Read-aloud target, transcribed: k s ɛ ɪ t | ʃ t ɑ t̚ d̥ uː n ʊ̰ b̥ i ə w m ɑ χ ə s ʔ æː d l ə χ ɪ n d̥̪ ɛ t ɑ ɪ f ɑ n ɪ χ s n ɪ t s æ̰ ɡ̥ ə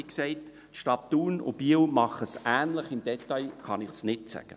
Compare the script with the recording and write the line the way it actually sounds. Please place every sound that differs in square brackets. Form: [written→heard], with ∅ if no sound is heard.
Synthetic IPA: k s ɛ ɪ t | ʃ t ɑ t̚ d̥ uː n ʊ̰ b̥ i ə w m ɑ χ ə s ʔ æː [d→n] l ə χ ɪ [n→m] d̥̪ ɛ t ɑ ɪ [f→χ] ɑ n ɪ χ s n ɪ t s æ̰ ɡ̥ ə